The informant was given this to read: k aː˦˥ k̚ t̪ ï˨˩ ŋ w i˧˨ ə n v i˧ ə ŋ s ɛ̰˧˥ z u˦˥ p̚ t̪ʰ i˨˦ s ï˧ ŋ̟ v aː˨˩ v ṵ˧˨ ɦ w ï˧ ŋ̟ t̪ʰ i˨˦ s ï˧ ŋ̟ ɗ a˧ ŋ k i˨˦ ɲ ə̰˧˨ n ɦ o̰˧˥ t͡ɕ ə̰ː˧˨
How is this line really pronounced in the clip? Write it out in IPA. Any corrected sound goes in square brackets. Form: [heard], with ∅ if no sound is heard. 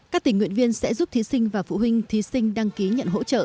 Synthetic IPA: k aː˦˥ k̚ t̪ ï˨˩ ŋ w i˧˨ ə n v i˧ ə [n] s ɛ̰˧˥ z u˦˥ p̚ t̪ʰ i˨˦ s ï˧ ŋ̟ v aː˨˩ [f] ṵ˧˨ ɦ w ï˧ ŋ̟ t̪ʰ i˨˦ s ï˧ ŋ̟ ɗ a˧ ŋ k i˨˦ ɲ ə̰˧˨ n ɦ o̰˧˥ t͡ɕ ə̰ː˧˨